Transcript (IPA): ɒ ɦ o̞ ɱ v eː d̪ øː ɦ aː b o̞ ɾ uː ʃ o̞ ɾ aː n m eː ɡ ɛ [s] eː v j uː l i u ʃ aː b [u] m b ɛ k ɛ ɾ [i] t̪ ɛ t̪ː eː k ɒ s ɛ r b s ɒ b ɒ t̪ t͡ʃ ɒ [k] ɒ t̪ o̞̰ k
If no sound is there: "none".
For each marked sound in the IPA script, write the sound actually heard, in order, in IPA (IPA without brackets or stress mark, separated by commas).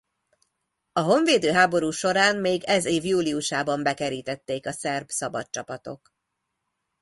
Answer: z, ɒ, iː, p